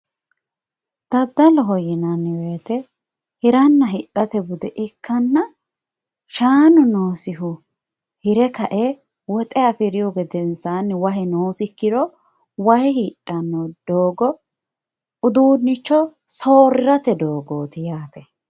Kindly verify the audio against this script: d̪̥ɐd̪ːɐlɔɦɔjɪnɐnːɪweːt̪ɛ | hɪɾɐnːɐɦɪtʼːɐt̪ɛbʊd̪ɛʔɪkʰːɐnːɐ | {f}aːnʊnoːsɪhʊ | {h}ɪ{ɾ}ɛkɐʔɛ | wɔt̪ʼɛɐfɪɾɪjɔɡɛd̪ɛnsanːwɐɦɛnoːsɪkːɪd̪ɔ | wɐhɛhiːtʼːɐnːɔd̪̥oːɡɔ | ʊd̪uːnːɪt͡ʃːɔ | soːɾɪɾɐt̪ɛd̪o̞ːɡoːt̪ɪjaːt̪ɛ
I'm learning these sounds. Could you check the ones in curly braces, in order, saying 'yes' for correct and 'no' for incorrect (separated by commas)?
no, yes, yes